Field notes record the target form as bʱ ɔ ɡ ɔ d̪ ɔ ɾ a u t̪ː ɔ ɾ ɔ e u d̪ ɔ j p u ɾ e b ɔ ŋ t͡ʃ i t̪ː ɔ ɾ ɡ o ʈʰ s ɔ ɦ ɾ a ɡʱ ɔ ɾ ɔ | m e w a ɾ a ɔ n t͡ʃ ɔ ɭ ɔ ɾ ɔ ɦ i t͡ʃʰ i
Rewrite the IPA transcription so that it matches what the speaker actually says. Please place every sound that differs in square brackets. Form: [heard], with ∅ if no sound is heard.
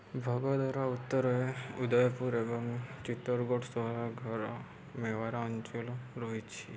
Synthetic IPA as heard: bʱ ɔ ɡ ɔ d̪ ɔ ɾ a u t̪ː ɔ ɾ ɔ e u d̪ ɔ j p u ɾ e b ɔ ŋ t͡ʃ i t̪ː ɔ ɾ ɡ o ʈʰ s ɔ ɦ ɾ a ɡʱ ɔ ɾ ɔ | m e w a ɾ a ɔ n t͡ʃ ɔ [l] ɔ ɾ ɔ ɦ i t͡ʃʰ i